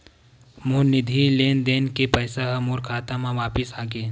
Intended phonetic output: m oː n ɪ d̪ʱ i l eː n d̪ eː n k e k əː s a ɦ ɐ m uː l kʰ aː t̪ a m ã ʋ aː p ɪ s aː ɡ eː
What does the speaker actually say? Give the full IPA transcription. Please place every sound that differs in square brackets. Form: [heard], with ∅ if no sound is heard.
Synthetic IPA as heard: m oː n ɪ d̪ʱ i l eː n d̪ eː n k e [p] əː s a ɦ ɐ m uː [ɾ] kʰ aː t̪ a m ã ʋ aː p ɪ s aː ɡ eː